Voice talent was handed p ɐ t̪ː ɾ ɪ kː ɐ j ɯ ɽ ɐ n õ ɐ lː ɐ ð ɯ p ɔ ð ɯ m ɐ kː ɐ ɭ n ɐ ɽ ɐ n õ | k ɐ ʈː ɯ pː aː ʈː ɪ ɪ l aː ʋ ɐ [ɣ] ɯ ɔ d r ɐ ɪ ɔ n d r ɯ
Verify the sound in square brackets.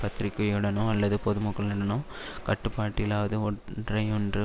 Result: incorrect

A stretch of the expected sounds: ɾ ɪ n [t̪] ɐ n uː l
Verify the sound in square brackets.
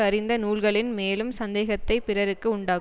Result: incorrect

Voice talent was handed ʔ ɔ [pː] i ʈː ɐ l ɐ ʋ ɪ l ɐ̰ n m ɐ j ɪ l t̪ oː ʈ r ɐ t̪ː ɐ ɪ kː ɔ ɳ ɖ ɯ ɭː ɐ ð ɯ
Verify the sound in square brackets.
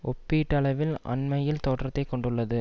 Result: correct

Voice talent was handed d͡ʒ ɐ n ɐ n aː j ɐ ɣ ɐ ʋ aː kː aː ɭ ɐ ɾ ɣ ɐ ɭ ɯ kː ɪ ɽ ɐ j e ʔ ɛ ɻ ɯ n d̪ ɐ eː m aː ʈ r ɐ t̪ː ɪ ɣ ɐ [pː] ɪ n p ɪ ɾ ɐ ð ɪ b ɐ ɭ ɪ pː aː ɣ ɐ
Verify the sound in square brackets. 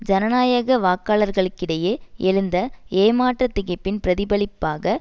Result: correct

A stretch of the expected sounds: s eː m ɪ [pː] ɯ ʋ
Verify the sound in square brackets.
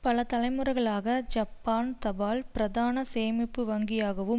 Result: correct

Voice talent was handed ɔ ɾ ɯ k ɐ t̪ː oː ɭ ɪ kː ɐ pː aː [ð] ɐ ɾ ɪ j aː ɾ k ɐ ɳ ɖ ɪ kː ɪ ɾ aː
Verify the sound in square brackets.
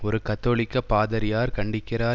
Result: correct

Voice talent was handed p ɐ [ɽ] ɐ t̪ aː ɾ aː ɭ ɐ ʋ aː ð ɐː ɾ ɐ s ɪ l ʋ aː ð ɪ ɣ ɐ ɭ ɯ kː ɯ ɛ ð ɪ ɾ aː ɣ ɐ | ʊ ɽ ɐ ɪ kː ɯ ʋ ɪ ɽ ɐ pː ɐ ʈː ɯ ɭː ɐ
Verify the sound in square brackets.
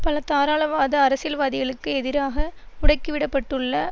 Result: incorrect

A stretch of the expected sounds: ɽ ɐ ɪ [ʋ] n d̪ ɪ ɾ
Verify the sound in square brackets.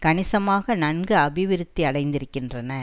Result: incorrect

